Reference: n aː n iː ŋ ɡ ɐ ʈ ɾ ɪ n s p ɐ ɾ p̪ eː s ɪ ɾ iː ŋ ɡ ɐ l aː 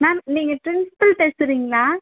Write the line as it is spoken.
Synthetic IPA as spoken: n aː n iː ŋ ɡ ɐ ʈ ɾ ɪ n s p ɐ l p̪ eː s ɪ ɾ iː ŋ ɡ ɐ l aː

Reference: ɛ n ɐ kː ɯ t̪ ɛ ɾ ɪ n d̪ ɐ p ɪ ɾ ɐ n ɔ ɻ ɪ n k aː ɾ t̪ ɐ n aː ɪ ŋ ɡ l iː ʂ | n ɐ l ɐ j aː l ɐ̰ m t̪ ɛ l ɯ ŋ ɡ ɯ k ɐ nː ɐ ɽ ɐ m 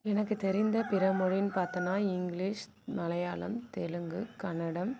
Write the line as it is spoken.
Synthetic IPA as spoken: ɛ n ɐ kː ɯ t̪ ɛ ɾ ɪ n d̪ ɐ p ɪ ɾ ɐ m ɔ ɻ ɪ n p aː ɾ t̪ ɐ n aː ɪ ŋ ɡ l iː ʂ | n ɐ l ɐ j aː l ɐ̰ m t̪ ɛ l ɯ ŋ ɡ ɯ k ɐ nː ɐ ɽ ɐ m

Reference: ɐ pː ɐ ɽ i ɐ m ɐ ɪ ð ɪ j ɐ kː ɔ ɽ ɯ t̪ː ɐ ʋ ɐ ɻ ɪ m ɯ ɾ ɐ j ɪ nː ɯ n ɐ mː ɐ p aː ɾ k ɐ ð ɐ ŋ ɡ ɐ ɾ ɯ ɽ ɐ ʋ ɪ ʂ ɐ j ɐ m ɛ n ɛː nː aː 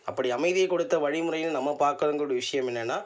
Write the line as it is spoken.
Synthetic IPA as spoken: ɐ pː ɐ ɽ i ɐ m ɐ ɪ ð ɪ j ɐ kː ɔ ɽ ɯ t̪ː ɐ ʋ ɐ ɻ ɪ m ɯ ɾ ɐ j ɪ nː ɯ n ɐ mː ɐ p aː ɾ k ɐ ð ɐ ŋ ɡ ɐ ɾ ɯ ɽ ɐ ʋ ɪ ʂ ɐ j ɐ m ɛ nː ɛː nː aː

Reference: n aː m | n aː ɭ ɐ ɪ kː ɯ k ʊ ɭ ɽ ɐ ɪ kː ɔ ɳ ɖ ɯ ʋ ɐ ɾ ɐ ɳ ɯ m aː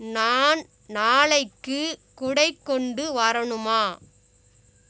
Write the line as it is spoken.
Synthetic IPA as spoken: n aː n | n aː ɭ ɐ ɪ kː ɯ k ʊ ɽ ɐ ɪ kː ɔ ɳ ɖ ɯ ʋ ɐ ɾ ɐ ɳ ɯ m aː

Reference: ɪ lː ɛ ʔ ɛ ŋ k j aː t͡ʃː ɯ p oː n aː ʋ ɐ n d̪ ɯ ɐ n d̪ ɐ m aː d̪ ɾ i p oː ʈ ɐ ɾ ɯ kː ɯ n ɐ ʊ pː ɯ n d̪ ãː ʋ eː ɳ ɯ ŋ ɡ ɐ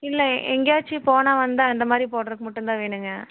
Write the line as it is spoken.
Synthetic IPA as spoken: ɪ lː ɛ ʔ ɛ ŋ ɡ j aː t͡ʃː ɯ p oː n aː ʋ ɐ n d̪ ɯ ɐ n d̪ ɐ m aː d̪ ɾ i p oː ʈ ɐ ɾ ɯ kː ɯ m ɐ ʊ ʈː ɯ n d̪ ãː ʋ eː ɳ ɯ ŋ ɡ ɐ

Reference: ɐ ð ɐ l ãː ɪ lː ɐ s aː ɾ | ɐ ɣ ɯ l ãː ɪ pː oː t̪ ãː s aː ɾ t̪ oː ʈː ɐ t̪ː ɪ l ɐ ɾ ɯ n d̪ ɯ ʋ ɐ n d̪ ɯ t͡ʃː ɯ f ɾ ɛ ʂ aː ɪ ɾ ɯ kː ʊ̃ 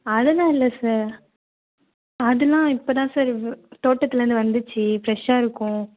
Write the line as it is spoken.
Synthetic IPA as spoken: ɐ ð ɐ l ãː ɪ lː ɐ s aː ɾ | ɐ ð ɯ l ãː ɪ pː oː t̪ ãː s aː ɾ t̪ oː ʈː ɐ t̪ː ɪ l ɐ ɾ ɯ n d̪ ɯ ʋ ɐ n d̪ ɯ t͡ʃː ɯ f ɾ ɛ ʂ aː ɪ ɾ ɯ kː ʊ̃

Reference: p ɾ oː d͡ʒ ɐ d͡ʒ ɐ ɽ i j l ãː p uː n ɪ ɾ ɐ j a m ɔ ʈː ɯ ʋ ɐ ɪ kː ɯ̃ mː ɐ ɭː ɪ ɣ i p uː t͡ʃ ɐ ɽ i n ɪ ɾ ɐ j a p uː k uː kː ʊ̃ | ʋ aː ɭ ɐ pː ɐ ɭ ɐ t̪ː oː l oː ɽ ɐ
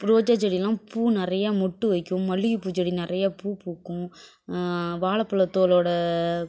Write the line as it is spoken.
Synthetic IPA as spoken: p ɾ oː d͡ʒ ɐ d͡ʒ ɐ ɽ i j l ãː p uː n ɪ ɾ ɐ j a m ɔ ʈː ɯ ʋ ɐ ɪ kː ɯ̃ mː ɐ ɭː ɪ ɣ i p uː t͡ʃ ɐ ɽ i n ɪ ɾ ɐ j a p uː p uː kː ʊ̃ | ʋ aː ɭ ɐ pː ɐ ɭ ɐ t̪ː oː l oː ɽ ɐ

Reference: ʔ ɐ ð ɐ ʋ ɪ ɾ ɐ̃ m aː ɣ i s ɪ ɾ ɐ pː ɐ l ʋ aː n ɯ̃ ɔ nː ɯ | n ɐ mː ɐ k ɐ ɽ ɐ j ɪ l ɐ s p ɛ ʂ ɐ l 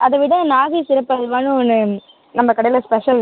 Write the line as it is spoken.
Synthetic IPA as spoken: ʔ ɐ ð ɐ ʋ ɪ ɽ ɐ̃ n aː ɣ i s ɪ ɾ ɐ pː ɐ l ʋ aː n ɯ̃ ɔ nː ɯ | n ɐ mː ɐ k ɐ ɽ ɐ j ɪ l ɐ s p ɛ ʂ ɐ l

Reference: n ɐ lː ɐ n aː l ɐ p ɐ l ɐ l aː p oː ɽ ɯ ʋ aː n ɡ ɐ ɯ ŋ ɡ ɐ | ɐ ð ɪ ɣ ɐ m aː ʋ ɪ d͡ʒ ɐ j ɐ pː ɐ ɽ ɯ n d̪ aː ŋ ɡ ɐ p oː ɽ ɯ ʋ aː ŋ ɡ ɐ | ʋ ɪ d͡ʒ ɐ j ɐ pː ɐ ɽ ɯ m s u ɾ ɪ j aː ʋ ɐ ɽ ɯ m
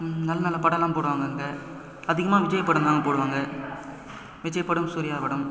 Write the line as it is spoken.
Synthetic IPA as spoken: n ɐ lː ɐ n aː l ɐ p ɐ ɽ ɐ l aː p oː ɽ ɯ ʋ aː ŋ ɡ ɐ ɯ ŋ ɡ ɐ | ɐ ð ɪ ɣ ɐ m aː ʋ ɪ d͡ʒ ɐ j ɐ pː ɐ ɽ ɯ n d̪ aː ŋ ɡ ɐ p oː ɽ ɯ ʋ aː ŋ ɡ ɐ | ʋ ɪ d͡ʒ ɐ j ɐ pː ɐ ɽ ɯ m s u ɾ ɪ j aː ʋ ɐ ɽ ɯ m

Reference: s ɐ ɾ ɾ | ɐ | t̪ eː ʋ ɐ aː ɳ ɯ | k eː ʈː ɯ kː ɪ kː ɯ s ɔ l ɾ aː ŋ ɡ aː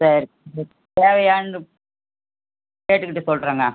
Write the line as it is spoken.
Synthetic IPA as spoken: s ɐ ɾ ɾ | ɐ | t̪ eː ʋ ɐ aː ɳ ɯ | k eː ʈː ɯ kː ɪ ʈː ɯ s ɔ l ɾ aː ŋ ɡ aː

